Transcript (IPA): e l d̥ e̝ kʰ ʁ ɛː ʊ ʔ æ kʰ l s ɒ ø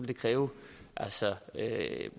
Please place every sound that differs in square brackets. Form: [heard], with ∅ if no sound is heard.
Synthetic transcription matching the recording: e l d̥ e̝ kʰ ʁ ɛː ʊ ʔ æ [∅] l s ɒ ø